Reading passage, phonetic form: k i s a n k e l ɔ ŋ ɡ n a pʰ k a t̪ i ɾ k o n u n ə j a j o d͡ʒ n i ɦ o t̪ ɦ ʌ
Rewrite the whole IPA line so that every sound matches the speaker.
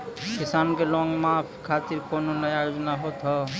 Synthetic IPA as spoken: k i s a n k e l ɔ ŋ ɡ m a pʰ kʰ a t̪ i ɾ k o n o n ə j a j o d͡ʒ n a ɦ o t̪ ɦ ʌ